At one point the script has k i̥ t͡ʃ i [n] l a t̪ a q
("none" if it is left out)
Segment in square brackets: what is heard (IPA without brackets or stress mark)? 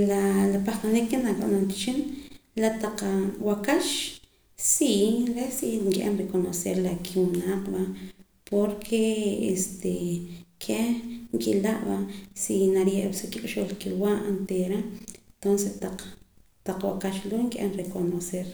n